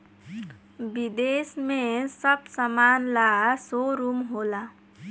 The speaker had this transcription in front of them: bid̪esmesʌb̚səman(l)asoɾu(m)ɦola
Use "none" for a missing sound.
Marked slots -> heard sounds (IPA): l, m

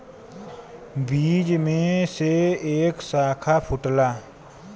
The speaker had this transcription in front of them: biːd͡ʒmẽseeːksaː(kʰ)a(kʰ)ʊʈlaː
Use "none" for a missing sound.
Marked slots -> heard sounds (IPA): kʰ, pʰ

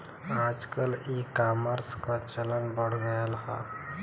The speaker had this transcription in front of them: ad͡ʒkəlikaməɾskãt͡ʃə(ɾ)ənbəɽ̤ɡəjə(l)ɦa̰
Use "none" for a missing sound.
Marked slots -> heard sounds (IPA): l, l

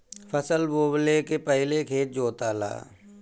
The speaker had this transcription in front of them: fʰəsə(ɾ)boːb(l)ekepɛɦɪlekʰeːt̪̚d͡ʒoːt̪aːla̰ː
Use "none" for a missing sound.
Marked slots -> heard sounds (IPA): l, l

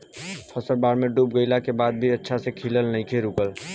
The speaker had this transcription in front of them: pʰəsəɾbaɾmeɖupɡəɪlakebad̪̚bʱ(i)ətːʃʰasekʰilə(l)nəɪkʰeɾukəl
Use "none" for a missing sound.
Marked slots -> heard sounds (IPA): i, l

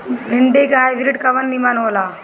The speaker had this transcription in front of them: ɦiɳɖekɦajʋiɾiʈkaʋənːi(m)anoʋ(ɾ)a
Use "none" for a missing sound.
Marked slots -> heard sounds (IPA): m, l

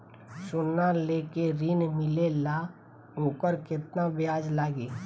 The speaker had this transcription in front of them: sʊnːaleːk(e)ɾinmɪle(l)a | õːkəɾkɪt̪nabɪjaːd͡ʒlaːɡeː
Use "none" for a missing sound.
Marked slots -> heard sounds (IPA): e, l

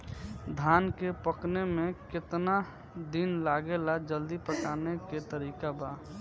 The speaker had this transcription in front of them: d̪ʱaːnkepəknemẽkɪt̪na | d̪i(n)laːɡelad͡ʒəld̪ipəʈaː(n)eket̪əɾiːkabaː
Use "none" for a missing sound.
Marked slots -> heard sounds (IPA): n, n

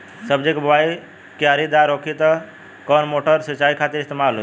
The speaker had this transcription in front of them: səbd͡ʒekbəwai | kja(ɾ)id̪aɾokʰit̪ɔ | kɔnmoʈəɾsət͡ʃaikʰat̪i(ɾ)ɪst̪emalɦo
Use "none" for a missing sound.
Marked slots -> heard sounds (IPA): ɾ, ɾ

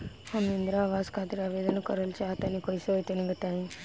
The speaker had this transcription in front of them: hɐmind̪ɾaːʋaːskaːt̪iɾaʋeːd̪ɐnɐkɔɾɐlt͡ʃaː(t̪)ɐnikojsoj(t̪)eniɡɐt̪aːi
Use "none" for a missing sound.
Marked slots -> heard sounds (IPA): t̪, t̪

